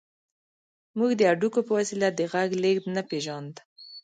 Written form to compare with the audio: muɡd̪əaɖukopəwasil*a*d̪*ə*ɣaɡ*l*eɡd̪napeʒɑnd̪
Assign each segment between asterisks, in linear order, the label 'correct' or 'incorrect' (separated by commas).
correct, correct, correct